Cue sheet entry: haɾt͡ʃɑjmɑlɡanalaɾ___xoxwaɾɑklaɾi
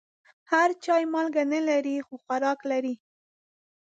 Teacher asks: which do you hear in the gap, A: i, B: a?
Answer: A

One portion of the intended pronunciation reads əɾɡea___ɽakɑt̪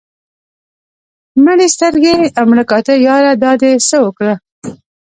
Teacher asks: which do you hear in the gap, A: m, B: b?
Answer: A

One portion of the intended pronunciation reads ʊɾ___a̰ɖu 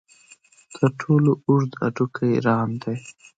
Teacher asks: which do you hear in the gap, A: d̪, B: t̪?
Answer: A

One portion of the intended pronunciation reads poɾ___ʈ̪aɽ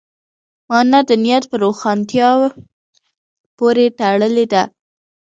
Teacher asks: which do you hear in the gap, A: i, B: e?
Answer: B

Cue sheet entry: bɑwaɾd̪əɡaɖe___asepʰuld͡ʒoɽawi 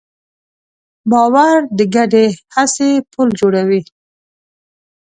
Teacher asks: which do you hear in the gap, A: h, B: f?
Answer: A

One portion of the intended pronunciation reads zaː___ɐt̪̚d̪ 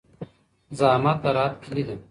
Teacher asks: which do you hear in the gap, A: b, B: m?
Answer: B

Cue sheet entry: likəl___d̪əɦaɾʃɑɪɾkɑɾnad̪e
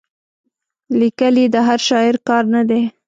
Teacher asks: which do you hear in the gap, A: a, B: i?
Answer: B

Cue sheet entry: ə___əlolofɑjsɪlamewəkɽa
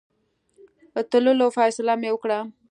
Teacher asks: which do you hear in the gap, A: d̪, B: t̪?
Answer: B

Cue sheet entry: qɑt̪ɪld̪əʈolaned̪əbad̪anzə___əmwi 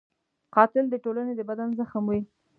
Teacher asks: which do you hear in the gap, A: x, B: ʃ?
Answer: A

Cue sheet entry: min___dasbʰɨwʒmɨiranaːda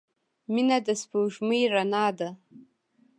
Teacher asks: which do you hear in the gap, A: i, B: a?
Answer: B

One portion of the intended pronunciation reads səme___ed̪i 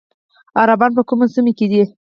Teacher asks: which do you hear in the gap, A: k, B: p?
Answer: A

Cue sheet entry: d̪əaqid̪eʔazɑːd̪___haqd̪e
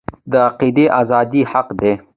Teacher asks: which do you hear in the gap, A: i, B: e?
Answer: A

